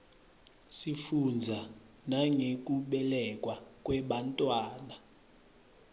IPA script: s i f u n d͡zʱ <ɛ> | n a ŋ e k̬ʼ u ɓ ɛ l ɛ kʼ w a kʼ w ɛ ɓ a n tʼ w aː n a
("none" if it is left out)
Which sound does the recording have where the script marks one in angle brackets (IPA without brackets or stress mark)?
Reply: a